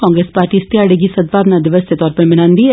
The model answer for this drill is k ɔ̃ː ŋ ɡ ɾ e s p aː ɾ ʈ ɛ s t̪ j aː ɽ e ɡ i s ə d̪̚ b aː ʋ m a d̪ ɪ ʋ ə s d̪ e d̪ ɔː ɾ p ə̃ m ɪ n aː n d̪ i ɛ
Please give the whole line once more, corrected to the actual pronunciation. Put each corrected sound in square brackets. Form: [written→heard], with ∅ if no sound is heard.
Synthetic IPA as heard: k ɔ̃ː ŋ ɡ ɾ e s p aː ɾ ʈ [ɛ→i] s t̪ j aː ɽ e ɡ i s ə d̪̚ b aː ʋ [m→n] a d̪ ɪ ʋ ə s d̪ e [d̪→t̪] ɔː ɾ p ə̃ m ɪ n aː n d̪ i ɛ